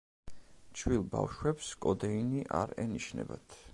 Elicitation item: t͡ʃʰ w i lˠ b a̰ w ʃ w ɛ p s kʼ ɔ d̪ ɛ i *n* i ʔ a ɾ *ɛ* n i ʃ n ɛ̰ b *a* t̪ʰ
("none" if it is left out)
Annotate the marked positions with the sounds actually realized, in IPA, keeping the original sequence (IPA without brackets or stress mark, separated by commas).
n, ɛ, a